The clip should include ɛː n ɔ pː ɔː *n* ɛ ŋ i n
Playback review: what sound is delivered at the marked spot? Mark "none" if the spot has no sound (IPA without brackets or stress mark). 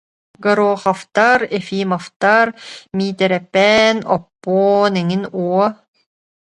n